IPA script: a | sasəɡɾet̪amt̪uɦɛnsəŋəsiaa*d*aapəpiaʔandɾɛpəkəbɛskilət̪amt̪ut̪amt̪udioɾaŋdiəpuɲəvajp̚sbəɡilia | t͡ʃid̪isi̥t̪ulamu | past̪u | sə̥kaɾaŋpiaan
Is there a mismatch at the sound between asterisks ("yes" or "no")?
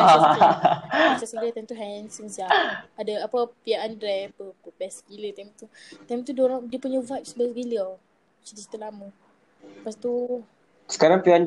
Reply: no